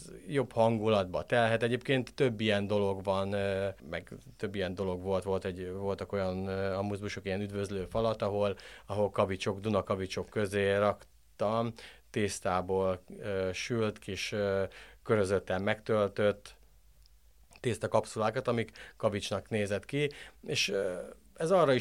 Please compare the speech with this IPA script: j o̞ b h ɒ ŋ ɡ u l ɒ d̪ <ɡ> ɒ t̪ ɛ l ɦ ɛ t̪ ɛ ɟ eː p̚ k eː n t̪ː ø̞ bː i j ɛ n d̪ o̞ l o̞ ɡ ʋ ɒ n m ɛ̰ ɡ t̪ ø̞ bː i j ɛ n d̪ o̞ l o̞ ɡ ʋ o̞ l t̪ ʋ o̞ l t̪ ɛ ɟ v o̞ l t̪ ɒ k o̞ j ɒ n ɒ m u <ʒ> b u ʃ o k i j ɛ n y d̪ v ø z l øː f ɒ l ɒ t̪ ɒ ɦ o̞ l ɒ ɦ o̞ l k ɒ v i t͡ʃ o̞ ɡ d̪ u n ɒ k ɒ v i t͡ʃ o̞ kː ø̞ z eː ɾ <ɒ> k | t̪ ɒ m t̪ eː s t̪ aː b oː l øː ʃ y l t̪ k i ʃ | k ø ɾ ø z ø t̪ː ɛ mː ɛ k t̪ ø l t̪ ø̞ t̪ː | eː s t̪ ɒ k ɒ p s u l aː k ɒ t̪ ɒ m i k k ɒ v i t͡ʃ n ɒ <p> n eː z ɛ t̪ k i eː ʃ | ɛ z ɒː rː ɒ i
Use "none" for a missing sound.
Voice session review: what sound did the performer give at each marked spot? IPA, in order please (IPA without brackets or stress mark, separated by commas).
b, z, ɒ, k